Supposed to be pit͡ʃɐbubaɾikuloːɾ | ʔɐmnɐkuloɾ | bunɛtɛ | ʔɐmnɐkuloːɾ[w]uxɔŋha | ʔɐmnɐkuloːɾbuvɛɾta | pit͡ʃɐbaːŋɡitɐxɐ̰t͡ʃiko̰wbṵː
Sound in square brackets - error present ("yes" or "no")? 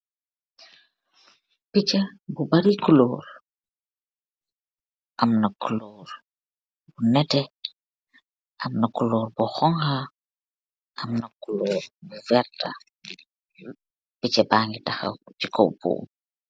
yes